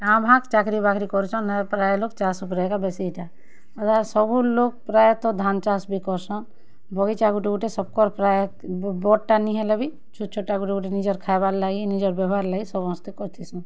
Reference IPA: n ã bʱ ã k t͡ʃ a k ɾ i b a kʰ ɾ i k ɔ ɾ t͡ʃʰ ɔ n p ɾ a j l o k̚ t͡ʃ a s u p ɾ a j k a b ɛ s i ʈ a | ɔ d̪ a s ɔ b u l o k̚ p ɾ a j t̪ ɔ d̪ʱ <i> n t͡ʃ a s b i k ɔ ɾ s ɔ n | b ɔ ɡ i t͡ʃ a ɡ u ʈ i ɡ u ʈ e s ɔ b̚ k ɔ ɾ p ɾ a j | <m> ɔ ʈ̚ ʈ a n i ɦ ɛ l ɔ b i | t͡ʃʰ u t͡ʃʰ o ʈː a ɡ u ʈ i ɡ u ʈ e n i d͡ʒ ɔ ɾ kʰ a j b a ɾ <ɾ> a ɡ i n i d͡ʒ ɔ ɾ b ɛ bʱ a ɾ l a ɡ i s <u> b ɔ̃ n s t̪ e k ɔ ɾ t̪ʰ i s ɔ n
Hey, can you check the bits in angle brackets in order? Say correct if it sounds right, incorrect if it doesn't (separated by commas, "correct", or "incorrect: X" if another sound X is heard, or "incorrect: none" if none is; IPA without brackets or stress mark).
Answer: incorrect: a, incorrect: b, incorrect: l, incorrect: ɔ